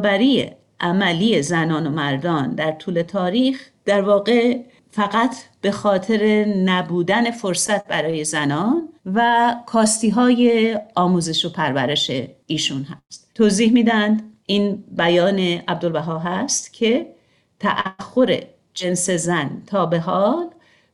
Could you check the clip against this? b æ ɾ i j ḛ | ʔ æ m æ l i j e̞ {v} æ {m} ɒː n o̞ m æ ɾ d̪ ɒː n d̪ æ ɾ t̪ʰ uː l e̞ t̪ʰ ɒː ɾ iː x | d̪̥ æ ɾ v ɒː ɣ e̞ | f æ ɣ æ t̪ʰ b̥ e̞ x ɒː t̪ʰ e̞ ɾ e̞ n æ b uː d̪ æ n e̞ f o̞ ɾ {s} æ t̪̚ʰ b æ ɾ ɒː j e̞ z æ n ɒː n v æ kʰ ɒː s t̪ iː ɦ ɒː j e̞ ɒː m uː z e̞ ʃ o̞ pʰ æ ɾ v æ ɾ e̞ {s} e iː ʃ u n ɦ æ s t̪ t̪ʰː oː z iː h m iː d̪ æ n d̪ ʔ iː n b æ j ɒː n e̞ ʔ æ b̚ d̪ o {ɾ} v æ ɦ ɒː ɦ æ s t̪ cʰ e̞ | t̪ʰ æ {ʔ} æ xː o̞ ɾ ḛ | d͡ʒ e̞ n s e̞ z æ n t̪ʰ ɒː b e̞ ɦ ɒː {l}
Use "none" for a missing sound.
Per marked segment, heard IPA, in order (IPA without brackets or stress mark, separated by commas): z, n, s, ʃ, l, ʔ, l